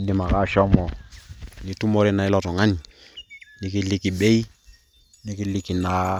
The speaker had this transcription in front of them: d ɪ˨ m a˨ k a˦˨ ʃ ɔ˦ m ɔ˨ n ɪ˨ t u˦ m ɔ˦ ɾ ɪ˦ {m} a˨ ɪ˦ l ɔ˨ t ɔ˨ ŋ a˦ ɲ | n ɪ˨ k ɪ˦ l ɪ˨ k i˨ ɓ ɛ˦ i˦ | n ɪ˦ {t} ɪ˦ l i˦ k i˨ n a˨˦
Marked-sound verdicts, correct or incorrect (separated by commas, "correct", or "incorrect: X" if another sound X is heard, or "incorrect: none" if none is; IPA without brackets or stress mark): incorrect: n, incorrect: k